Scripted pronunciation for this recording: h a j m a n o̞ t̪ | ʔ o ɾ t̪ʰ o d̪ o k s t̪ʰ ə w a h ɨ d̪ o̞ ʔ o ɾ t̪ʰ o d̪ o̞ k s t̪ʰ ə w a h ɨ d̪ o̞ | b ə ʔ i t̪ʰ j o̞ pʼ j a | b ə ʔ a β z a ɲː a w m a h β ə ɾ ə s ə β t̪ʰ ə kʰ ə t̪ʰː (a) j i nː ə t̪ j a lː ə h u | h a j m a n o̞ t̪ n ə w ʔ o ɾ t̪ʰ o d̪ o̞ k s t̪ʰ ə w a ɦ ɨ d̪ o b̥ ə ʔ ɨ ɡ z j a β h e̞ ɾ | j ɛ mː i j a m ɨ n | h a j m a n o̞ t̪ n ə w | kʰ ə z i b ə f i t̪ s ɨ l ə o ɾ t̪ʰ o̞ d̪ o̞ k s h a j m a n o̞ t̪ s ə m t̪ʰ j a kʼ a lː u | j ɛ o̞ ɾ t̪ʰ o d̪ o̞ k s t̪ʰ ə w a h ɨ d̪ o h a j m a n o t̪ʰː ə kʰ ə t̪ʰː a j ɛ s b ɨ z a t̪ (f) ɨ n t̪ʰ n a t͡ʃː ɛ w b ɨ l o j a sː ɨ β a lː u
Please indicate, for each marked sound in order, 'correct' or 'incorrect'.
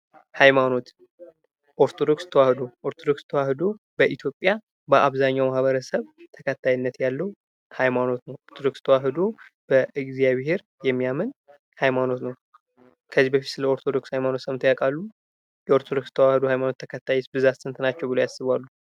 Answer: correct, incorrect

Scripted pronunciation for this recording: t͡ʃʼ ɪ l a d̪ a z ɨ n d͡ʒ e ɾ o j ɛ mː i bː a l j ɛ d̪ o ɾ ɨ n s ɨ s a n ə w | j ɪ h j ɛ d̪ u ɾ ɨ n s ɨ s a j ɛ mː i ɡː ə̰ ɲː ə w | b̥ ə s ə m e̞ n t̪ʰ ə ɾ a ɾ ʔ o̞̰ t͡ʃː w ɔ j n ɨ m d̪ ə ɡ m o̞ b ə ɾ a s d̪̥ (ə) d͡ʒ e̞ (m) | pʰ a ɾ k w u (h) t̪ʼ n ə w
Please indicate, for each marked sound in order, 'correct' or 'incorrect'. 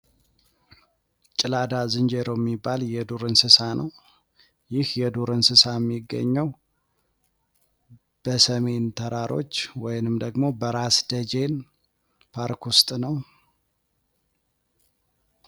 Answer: correct, incorrect, incorrect

